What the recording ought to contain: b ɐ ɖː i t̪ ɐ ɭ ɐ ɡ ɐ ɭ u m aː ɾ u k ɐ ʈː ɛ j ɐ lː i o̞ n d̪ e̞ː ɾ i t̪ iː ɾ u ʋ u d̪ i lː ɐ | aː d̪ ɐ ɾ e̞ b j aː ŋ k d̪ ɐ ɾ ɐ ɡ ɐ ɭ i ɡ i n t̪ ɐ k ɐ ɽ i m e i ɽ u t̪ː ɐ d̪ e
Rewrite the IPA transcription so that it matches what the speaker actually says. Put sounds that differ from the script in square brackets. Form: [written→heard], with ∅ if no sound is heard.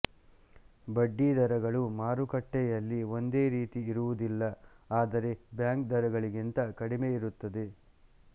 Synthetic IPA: b ɐ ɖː i [t̪→d̪] ɐ [ɭ→ɾ] ɐ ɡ ɐ ɭ u m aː ɾ u k ɐ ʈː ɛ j ɐ lː i o̞ n d̪ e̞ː ɾ [i→iː] t̪ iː ɾ u ʋ u d̪ i lː ɐ | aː d̪ ɐ ɾ e̞ b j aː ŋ k d̪ ɐ ɾ ɐ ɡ ɐ ɭ i ɡ i n t̪ ɐ k ɐ ɽ i m e i [ɽ→ɾ] u t̪ː ɐ d̪ e

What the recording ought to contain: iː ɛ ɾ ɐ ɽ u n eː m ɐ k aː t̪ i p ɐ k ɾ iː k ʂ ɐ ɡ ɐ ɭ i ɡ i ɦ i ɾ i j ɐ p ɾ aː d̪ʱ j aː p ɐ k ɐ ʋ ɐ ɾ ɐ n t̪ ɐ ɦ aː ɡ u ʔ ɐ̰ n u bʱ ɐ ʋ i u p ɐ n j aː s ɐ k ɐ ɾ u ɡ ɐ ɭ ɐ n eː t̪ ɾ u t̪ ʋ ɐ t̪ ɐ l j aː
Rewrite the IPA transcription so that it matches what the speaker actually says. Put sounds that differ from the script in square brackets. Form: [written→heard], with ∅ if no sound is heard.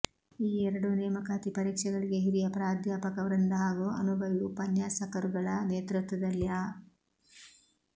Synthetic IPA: iː ɛ ɾ ɐ ɽ u n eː m ɐ k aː t̪ i p ɐ [k→∅] ɾ iː k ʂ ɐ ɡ ɐ ɭ i ɡ [i→e] ɦ i ɾ i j ɐ p ɾ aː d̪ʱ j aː p ɐ k ɐ ʋ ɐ ɾ ɐ n [t̪→d̪] ɐ ɦ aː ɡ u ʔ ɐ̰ n u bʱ ɐ ʋ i u p ɐ n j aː s ɐ k ɐ ɾ u ɡ ɐ ɭ ɐ n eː t̪ ɾ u t̪ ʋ ɐ [t̪→d̪] ɐ l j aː

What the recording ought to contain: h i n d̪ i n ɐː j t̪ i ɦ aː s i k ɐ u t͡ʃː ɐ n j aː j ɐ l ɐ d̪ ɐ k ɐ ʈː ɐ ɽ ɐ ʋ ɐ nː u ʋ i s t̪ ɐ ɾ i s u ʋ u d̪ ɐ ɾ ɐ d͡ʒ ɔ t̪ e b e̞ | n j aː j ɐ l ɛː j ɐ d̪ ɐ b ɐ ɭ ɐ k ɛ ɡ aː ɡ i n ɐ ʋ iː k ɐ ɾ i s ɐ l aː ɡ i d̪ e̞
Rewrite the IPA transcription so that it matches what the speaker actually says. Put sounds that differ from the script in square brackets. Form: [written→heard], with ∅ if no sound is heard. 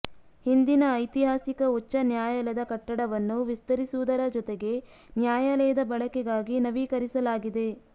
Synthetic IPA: h i n d̪ i n ɐː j t̪ i ɦ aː s i k ɐ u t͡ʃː ɐ n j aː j ɐ l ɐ d̪ ɐ k ɐ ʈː ɐ ɽ ɐ ʋ ɐ nː u ʋ i s t̪ ɐ ɾ i s u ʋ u d̪ ɐ ɾ ɐ d͡ʒ ɔ t̪ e [b→ɡ] e̞ | n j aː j ɐ l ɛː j ɐ d̪ ɐ b ɐ ɭ ɐ k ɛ ɡ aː ɡ i n ɐ ʋ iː k ɐ ɾ i s ɐ l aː ɡ i d̪ e̞

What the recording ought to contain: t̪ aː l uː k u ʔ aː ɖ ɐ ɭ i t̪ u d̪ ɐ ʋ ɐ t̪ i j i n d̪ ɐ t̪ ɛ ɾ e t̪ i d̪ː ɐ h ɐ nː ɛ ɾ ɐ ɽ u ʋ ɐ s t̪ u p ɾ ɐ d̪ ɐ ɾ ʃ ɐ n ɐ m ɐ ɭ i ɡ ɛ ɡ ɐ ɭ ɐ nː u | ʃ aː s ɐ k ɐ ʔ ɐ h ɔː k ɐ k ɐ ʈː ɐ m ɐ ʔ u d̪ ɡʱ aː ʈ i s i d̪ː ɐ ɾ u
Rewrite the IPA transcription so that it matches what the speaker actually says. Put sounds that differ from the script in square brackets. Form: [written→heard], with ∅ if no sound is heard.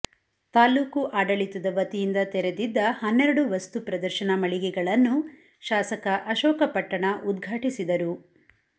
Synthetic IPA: t̪ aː l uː k u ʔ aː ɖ ɐ ɭ i t̪ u d̪ ɐ ʋ ɐ t̪ i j i n d̪ ɐ t̪ ɛ ɾ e [t̪→d̪] i d̪ː ɐ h ɐ nː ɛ ɾ ɐ ɽ u ʋ ɐ s t̪ u p ɾ ɐ d̪ ɐ ɾ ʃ ɐ n ɐ m ɐ ɭ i ɡ ɛ ɡ ɐ ɭ ɐ nː u | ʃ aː s ɐ k ɐ ʔ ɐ [h→ʃ] ɔː k ɐ [k→p] ɐ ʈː ɐ [m→ɳ] ɐ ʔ u d̪ ɡʱ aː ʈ i s i [d̪ː→d̪] ɐ ɾ u

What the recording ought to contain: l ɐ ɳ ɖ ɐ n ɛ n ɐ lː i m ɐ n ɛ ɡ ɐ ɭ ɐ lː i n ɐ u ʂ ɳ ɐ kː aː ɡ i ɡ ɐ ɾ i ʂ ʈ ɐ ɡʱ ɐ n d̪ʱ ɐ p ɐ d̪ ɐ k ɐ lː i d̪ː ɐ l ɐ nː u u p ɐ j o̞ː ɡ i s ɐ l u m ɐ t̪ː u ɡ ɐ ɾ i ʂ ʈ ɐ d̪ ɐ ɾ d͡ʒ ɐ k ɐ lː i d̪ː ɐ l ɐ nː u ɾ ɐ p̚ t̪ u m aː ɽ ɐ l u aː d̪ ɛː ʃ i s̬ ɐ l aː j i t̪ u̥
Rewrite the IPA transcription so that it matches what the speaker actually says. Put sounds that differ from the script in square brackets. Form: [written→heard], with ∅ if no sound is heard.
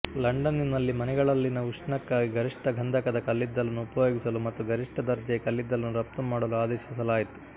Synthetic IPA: l ɐ ɳ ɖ ɐ n [ɛ→i] n ɐ lː i m ɐ n ɛ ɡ ɐ ɭ ɐ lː i n ɐ u ʂ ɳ ɐ kː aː ɡ i ɡ ɐ ɾ i ʂ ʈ ɐ ɡʱ ɐ n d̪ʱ ɐ [p→k] ɐ d̪ ɐ k ɐ lː i d̪ː ɐ l ɐ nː u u p ɐ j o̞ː ɡ i s ɐ l u m ɐ t̪ː u ɡ ɐ ɾ i ʂ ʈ ɐ d̪ ɐ ɾ d͡ʒ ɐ k ɐ lː i d̪ː ɐ l ɐ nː u ɾ ɐ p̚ t̪ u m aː ɽ ɐ l u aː d̪ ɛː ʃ i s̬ ɐ l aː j i t̪ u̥

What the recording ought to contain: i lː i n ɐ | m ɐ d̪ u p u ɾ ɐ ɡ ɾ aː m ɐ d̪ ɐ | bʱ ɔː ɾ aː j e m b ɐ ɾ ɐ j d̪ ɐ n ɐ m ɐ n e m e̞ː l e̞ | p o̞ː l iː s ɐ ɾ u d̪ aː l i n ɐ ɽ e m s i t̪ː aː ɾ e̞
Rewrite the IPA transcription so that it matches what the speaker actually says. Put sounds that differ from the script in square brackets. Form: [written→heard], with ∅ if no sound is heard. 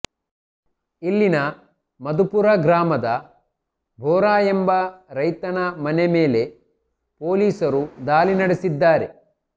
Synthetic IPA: i lː i n ɐ | m ɐ d̪ u p u ɾ ɐ ɡ ɾ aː m ɐ d̪ ɐ | bʱ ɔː ɾ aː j e m b ɐ ɾ ɐ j [d̪→t̪] ɐ n ɐ m ɐ n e m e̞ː l e̞ | p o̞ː l iː s ɐ ɾ u d̪ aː l i n ɐ ɽ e [m→∅] s i [t̪ː→d̪ː] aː ɾ e̞

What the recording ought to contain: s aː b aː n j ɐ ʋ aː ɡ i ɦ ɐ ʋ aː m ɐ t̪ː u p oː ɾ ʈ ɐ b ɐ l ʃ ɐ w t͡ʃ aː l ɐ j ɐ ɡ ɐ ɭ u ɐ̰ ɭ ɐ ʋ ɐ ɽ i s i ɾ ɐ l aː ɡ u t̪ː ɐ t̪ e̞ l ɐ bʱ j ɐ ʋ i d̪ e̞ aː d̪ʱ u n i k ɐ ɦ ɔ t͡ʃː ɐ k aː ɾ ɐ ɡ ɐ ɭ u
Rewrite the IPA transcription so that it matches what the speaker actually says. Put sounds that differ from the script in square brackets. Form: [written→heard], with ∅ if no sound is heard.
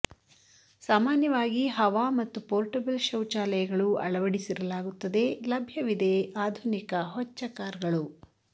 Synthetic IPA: s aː [b→m] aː n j ɐ ʋ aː ɡ i ɦ ɐ ʋ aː m ɐ t̪ː u p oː ɾ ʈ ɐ b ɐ l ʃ ɐ w t͡ʃ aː l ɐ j ɐ ɡ ɐ ɭ u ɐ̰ ɭ ɐ ʋ ɐ ɽ i s i ɾ ɐ l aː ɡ u t̪ː ɐ [t̪→d̪] e̞ l ɐ bʱ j ɐ ʋ i d̪ e̞ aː d̪ʱ u n i k ɐ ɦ ɔ t͡ʃː ɐ k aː ɾ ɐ ɡ ɐ ɭ u

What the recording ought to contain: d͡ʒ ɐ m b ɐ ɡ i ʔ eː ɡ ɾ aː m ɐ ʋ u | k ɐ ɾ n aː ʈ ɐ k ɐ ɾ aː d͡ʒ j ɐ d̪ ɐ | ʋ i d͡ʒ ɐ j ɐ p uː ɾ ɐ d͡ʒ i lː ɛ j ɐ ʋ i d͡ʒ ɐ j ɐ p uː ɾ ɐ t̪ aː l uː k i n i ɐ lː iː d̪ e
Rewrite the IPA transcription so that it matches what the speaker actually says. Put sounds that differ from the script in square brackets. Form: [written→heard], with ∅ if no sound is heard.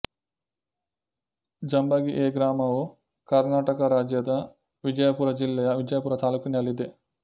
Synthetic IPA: d͡ʒ ɐ m b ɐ ɡ i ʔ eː ɡ ɾ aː m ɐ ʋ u | k ɐ ɾ n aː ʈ ɐ k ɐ ɾ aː d͡ʒ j ɐ d̪ ɐ | ʋ i d͡ʒ ɐ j ɐ p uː ɾ ɐ d͡ʒ i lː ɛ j ɐ ʋ i d͡ʒ ɐ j ɐ p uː ɾ ɐ t̪ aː l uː k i n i ɐ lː [iː→i] d̪ e

